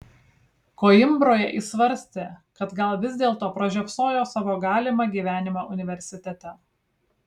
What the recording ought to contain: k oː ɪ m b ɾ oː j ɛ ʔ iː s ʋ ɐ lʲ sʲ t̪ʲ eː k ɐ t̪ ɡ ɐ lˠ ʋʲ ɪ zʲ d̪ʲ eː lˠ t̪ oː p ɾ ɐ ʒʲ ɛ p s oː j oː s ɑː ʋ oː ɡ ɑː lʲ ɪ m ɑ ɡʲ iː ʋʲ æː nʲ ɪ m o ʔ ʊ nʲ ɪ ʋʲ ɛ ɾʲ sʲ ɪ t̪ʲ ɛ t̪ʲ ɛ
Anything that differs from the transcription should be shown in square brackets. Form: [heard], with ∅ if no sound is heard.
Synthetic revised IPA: k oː ɪ m b ɾ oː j ɛ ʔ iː s ʋ ɐ [ɾʲ] sʲ t̪ʲ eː k ɐ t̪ ɡ ɐ lˠ ʋʲ ɪ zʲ d̪ʲ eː lˠ t̪ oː p ɾ ɐ ʒʲ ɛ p s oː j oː s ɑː ʋ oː ɡ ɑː lʲ ɪ m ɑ ɡʲ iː ʋʲ æː nʲ ɪ m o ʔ ʊ nʲ ɪ ʋʲ ɛ ɾʲ sʲ ɪ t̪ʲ ɛ t̪ʲ ɛ

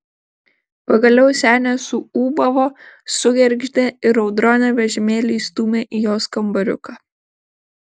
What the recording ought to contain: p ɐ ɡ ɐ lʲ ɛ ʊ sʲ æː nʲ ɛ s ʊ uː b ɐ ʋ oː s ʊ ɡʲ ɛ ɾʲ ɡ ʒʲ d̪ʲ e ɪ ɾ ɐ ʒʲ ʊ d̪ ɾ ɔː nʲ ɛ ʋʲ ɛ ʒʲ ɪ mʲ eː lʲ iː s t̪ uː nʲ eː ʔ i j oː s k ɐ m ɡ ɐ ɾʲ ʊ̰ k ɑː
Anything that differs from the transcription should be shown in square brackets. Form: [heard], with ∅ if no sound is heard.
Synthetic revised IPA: p ɐ ɡ ɐ lʲ ɛ ʊ sʲ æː nʲ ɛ s ʊ uː b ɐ ʋ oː s ʊ ɡʲ ɛ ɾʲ ɡ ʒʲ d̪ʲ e ɪ ɾ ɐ [∅] ʊ d̪ ɾ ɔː nʲ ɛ ʋʲ ɛ ʒʲ ɪ mʲ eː lʲ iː s t̪ uː [mʲ] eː ʔ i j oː s k ɐ m [b] ɐ ɾʲ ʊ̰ k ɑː

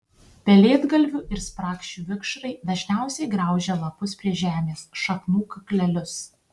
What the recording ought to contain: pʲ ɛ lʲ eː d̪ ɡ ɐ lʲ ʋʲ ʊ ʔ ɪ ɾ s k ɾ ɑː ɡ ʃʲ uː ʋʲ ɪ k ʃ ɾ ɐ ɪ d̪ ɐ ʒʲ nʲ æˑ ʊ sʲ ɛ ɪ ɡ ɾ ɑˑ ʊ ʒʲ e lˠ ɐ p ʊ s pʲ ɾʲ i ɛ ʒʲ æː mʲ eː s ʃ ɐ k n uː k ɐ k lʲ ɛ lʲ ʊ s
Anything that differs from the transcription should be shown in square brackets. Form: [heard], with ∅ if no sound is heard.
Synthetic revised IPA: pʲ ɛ lʲ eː d̪ ɡ ɐ lʲ ʋʲ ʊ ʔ ɪ ɾ s [p] ɾ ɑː [k] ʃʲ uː ʋʲ ɪ k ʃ ɾ ɐ ɪ d̪ ɐ ʒʲ nʲ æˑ ʊ sʲ ɛ ɪ ɡ ɾ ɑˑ ʊ ʒʲ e lˠ ɐ p ʊ s pʲ ɾʲ i ɛ ʒʲ æː mʲ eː s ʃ ɐ k n uː k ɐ k lʲ ɛ lʲ ʊ s

